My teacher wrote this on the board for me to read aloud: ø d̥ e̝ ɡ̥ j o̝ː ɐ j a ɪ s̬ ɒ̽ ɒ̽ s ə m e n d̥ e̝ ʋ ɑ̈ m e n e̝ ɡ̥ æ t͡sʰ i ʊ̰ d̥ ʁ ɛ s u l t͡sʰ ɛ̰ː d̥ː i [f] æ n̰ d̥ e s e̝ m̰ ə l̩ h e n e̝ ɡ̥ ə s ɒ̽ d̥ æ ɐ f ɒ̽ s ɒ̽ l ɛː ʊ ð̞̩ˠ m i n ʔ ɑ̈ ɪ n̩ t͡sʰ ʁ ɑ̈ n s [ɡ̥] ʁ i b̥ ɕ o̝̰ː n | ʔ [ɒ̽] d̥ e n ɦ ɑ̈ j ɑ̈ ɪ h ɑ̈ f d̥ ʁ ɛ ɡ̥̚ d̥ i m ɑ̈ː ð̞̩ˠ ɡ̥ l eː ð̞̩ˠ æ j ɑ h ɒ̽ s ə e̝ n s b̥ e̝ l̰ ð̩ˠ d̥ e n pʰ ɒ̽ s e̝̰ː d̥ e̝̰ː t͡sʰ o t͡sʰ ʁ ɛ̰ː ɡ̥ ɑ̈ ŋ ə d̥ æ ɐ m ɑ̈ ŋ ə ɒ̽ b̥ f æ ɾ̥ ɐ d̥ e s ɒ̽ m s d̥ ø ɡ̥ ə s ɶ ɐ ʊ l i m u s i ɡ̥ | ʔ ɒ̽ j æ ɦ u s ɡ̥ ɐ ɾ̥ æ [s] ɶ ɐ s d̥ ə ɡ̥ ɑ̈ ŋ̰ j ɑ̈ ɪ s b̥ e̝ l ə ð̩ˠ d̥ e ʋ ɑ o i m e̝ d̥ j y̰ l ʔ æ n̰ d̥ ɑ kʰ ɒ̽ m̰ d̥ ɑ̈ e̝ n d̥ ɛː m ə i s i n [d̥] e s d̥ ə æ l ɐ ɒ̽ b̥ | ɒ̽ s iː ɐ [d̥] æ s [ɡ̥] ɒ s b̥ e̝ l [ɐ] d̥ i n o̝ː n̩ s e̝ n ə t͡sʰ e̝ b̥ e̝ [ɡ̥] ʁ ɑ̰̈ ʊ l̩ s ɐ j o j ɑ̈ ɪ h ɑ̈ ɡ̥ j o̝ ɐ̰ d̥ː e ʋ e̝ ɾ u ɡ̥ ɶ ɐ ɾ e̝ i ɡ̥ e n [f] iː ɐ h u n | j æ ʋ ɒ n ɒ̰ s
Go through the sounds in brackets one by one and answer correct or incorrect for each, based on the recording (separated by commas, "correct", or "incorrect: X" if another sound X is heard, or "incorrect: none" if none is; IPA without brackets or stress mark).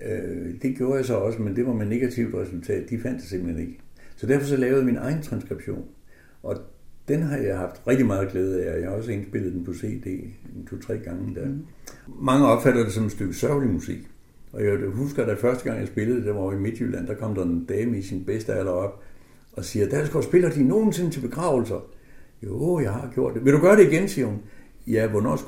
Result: correct, correct, correct, incorrect: f, incorrect: b̥, correct, correct, correct, correct, incorrect: s